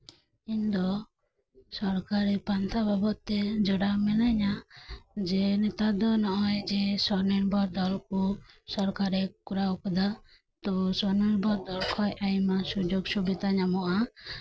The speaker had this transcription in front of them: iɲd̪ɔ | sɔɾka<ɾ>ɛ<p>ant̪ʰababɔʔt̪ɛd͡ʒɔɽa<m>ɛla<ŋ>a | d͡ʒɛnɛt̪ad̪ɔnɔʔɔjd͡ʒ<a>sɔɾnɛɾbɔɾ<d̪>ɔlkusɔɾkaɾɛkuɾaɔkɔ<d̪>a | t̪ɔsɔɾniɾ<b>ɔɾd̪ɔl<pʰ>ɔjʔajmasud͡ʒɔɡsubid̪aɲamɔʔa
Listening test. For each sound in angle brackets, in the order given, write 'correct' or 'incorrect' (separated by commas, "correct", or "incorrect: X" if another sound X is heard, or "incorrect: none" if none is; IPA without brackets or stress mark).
correct, correct, correct, incorrect: ɲ, incorrect: ɛ, correct, correct, correct, incorrect: kʰ